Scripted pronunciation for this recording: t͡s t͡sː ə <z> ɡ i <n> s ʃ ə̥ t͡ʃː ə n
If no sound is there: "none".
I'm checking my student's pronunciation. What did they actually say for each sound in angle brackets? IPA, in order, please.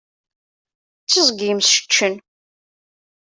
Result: z, m

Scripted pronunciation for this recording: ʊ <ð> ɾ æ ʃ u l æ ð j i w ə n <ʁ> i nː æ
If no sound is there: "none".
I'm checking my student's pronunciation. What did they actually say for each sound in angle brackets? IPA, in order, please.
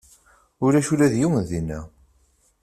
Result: none, ð

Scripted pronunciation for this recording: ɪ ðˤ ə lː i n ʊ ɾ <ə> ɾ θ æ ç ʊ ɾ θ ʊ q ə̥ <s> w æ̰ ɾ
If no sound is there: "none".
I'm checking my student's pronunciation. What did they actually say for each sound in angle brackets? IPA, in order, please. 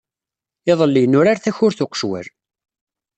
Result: a, ʃ

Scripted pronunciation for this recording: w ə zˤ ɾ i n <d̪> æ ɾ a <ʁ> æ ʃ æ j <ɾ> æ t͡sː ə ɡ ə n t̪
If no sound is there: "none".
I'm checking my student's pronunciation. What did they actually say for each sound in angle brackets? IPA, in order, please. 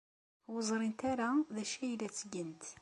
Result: t̪, ð, l

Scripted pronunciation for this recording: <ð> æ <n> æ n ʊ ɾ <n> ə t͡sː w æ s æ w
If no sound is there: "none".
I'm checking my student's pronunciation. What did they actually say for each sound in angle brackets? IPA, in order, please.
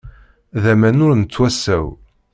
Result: ð, m, n

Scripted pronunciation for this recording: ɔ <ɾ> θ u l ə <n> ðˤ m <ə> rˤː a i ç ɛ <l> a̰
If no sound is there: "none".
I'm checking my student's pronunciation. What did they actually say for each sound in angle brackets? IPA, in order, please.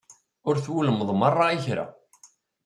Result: ɾ, m, a, ɾ

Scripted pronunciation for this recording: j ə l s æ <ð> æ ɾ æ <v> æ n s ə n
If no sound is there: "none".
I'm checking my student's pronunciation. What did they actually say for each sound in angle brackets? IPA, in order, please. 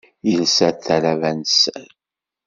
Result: θ, v

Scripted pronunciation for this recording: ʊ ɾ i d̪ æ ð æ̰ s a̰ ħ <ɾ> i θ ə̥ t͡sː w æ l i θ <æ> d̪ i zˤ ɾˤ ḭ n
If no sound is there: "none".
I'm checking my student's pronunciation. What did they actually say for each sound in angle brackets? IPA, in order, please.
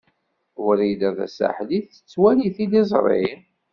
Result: l, i

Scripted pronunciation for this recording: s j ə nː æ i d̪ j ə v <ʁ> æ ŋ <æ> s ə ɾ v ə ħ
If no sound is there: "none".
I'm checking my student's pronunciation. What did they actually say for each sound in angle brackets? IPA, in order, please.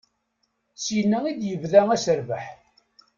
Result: ð, æ

